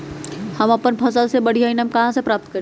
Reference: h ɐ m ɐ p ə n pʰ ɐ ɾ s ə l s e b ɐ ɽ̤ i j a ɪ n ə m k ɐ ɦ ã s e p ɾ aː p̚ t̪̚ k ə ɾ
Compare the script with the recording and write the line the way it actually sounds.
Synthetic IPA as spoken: h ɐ m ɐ p ə n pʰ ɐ s ə l s e b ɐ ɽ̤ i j a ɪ n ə m k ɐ ɦ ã s e p ɾ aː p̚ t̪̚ k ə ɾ